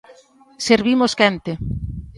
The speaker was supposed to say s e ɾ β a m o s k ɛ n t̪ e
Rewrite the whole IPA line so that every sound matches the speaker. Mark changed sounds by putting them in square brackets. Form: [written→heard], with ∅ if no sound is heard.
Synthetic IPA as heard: s e ɾ β [a→i] m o s k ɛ n t̪ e